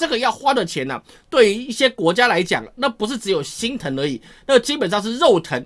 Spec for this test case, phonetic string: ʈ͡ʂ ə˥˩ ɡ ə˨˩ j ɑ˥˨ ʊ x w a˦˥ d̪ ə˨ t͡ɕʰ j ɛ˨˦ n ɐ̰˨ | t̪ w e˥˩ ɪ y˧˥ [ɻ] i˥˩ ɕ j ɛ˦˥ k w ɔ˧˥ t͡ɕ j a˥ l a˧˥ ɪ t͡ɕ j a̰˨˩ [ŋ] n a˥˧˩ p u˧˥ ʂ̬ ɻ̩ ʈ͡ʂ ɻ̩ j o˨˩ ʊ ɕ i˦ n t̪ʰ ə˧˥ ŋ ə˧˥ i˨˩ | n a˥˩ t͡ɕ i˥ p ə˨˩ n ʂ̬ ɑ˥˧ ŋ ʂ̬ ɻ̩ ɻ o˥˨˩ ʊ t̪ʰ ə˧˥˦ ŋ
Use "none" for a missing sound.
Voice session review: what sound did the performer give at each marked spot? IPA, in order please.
none, ŋ

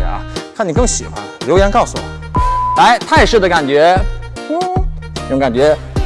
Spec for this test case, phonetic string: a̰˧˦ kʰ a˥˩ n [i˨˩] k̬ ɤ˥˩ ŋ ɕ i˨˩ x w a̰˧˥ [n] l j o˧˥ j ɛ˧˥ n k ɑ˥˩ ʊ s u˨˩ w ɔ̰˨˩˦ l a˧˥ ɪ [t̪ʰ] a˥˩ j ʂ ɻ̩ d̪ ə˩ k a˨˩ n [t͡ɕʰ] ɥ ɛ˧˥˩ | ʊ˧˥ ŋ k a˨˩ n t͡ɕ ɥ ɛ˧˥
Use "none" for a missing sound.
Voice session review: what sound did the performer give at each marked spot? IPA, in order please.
i˨˩, n, t̪ʰ, t͡ɕ

